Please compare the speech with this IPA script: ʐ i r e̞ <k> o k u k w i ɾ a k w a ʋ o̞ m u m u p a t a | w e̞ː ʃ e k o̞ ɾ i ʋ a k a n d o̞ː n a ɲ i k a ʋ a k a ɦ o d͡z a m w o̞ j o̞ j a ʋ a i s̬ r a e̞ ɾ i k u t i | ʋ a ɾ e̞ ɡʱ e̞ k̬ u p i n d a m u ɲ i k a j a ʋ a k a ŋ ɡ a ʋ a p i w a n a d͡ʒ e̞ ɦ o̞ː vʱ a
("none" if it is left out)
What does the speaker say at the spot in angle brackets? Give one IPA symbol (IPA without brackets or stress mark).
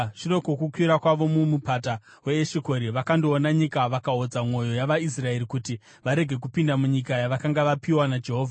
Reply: k